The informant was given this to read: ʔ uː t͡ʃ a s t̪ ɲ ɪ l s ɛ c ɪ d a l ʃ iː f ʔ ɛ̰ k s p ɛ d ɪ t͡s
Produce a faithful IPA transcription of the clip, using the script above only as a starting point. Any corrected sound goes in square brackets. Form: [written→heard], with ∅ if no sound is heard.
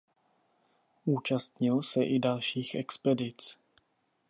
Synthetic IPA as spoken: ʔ uː t͡ʃ a s t̪ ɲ ɪ l s ɛ [c→ʔ] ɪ d a l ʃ iː [f→x] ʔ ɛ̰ k s p ɛ d ɪ t͡s